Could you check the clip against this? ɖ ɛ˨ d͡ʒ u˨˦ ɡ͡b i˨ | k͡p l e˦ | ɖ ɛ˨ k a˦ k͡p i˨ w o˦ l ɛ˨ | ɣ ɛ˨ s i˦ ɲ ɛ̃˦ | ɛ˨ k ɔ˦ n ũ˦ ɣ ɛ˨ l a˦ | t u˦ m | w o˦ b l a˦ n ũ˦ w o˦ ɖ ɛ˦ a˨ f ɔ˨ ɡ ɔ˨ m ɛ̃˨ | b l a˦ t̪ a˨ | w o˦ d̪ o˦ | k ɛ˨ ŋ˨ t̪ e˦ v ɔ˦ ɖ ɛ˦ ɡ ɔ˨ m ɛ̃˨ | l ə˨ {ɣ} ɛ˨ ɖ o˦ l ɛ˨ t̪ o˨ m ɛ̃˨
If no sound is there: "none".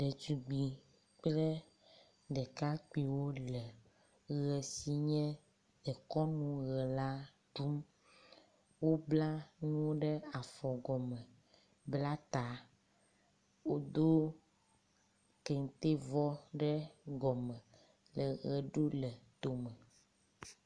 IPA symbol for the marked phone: ɣ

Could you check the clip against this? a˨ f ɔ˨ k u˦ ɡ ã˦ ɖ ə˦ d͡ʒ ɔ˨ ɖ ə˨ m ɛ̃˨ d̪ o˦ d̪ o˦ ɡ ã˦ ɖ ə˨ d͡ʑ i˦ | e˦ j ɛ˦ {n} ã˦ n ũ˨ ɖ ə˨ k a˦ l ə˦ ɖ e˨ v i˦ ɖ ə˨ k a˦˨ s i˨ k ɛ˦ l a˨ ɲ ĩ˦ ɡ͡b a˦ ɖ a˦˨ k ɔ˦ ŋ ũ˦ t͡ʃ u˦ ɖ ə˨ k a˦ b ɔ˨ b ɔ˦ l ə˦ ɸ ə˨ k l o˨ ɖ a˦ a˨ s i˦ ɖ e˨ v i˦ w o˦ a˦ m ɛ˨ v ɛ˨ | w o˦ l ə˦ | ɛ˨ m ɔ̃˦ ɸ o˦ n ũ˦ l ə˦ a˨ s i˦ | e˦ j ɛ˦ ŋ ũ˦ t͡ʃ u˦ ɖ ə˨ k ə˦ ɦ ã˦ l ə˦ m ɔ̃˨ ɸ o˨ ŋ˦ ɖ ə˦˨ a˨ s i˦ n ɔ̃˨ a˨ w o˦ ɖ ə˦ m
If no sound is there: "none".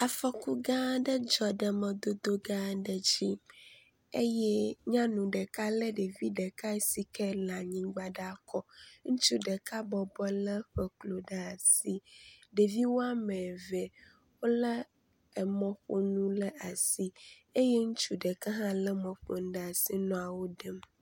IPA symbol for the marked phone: ɲ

